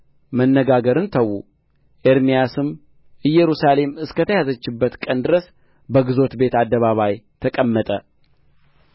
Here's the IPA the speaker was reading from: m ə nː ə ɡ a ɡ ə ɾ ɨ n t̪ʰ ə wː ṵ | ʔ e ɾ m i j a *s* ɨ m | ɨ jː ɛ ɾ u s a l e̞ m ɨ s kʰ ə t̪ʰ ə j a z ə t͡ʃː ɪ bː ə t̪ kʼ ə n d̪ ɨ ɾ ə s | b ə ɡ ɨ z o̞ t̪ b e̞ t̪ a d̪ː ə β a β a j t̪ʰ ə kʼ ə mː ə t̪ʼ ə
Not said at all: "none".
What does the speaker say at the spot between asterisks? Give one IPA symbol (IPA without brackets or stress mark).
s